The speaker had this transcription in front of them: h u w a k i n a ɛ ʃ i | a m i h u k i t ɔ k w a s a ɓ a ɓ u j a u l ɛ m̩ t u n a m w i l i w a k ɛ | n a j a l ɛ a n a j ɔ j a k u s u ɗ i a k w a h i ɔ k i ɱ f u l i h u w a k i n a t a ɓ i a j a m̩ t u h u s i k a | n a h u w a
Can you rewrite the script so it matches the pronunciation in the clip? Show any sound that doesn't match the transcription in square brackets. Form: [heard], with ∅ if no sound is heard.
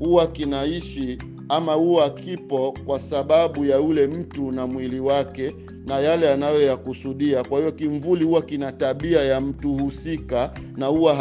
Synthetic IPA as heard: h u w a k i n a [i] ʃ i | a m [a] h u k i [p] ɔ k w a s a ɓ a ɓ u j a u l ɛ m̩ t u n a m w i l i w a k ɛ | n a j a l ɛ a n a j ɔ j a k u s u ɗ i a k w a h i ɔ k i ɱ [v] u l i h u w a k i n a t a ɓ i a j a m̩ t u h u s i k a | n a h u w a